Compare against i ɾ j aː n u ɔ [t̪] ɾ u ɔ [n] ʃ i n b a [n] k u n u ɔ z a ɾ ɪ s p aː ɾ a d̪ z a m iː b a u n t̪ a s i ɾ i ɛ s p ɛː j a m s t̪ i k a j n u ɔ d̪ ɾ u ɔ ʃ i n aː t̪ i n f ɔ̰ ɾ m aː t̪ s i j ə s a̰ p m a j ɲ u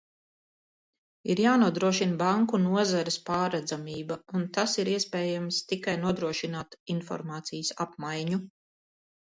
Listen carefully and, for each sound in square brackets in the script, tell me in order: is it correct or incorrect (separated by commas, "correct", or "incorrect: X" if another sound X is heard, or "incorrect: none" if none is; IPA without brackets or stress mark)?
incorrect: d̪, incorrect: none, incorrect: ŋ